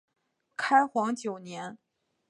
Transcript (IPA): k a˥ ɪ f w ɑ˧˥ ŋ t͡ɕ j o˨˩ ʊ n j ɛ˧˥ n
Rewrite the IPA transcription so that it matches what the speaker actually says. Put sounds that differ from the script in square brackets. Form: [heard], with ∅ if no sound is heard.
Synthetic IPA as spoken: [kʰ] a˥ ɪ [x] w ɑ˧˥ ŋ t͡ɕ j o˨˩ ʊ n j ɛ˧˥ n